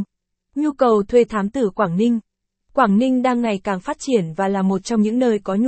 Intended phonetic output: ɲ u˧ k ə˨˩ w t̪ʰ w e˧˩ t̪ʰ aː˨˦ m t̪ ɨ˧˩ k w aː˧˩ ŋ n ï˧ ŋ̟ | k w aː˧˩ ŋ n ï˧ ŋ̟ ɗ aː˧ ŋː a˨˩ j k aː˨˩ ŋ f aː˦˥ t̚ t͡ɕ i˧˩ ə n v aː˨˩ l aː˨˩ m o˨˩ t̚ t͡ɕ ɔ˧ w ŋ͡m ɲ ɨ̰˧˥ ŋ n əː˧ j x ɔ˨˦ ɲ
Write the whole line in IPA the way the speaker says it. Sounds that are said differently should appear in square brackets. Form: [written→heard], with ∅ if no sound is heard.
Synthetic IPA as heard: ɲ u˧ k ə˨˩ w t̪ʰ w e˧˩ t̪ʰ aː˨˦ m t̪ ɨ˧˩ k w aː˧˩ ŋ n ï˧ ŋ̟ | k w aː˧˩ ŋ n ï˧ ŋ̟ ɗ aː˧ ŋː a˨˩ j k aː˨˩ ŋ f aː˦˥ t̚ t͡ɕ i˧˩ ə n v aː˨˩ l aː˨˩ m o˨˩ t̚ t͡ɕ ɔ˧ w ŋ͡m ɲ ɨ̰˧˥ ŋ n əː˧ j [x→k] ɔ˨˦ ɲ